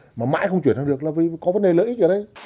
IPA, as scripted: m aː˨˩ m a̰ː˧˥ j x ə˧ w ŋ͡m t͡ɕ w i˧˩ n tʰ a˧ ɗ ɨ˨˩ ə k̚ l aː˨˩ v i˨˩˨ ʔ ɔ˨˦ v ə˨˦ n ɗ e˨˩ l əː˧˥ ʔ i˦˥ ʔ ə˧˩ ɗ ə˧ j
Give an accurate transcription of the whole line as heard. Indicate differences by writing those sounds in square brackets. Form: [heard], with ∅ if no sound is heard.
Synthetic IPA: m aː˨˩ m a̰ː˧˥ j x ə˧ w ŋ͡m t͡ɕ w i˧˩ n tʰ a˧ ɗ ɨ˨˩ ə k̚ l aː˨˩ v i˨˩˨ [k] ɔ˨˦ v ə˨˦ n ɗ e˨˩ l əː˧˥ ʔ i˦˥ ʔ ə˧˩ ɗ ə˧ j